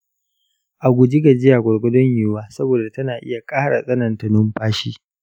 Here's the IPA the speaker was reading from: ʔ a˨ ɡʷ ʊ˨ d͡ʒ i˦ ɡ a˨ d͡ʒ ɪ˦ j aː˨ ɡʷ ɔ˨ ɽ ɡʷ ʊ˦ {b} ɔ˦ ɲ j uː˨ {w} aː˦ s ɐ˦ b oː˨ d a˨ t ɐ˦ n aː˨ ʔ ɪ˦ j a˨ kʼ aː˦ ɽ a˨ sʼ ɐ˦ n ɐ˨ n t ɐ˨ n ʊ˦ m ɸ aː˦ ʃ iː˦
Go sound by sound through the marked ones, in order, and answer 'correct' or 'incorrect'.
incorrect: d, correct

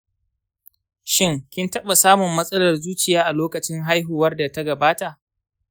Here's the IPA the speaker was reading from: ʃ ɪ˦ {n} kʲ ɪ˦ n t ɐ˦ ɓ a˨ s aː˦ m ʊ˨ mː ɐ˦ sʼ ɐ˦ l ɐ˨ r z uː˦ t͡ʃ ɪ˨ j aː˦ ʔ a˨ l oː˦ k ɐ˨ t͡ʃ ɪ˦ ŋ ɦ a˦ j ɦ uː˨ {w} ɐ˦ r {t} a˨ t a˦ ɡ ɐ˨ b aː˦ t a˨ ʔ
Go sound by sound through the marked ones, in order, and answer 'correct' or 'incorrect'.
incorrect: ŋ, correct, incorrect: d

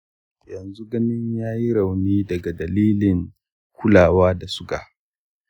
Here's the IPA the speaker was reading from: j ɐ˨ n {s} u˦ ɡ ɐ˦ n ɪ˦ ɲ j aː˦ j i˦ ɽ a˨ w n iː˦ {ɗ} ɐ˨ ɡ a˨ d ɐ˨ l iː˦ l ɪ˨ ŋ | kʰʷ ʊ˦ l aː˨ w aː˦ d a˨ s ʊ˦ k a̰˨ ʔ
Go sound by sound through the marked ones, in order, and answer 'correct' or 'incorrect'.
incorrect: z, incorrect: d

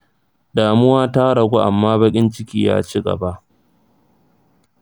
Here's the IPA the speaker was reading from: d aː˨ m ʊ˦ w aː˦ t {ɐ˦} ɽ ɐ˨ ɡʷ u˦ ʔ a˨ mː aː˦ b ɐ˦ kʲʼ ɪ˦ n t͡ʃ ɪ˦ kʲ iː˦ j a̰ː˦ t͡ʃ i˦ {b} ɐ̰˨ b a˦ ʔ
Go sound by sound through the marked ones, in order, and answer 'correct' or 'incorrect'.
incorrect: a˦, incorrect: ɡ

